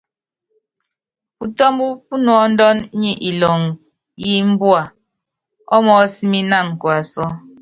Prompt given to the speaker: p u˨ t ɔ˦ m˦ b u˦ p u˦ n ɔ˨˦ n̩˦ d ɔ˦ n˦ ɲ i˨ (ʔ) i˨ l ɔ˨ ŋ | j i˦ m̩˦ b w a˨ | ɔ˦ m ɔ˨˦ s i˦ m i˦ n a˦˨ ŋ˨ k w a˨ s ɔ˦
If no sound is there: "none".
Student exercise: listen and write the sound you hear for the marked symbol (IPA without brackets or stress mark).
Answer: ʔ